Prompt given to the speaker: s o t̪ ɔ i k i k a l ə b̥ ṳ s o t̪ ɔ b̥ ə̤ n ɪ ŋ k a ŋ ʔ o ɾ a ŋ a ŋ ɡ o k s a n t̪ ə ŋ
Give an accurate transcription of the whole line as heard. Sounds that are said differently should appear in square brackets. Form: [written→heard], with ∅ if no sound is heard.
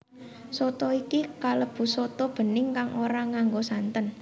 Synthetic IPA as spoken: s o t̪ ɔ i k i k a l ə b̥ ṳ s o t̪ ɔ b̥ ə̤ n ɪ ŋ k a ŋ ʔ o ɾ a ŋ a ŋ ɡ o [k→∅] s a n t̪ ə [ŋ→n]